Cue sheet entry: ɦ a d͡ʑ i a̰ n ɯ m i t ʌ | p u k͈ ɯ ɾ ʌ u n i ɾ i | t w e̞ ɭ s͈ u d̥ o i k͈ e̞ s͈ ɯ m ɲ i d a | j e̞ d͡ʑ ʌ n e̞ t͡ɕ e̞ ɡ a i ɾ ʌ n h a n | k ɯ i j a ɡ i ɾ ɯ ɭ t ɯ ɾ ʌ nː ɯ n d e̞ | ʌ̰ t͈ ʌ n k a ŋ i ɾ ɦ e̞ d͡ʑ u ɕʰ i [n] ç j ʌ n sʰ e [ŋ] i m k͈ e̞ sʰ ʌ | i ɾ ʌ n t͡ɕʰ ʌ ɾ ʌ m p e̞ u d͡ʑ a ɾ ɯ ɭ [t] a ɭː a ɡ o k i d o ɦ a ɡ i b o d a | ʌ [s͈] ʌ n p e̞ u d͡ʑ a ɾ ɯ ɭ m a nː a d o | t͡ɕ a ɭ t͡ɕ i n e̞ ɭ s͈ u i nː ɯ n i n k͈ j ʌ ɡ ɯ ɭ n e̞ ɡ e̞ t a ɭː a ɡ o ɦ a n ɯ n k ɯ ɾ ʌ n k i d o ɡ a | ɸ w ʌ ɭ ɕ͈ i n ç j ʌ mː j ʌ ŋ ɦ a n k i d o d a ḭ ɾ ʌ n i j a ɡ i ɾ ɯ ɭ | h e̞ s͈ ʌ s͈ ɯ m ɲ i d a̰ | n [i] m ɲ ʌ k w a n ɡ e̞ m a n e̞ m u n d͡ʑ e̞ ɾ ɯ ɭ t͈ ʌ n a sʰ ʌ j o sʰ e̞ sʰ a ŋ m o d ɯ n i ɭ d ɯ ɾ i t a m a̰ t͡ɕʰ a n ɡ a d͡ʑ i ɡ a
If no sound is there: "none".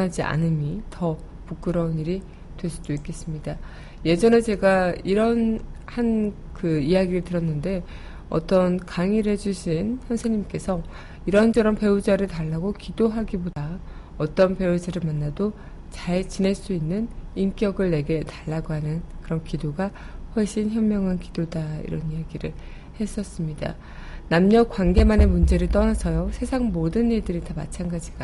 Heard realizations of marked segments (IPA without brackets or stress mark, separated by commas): n, ɲ, t, t͈, a